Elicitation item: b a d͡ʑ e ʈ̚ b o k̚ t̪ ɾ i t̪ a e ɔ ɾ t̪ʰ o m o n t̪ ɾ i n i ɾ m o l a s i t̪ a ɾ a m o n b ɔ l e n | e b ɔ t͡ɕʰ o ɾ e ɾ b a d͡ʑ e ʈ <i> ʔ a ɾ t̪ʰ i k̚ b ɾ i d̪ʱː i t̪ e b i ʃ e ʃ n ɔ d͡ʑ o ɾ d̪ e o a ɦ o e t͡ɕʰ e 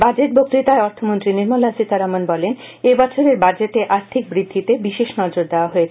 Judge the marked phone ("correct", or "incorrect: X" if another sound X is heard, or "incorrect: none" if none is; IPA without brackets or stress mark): incorrect: e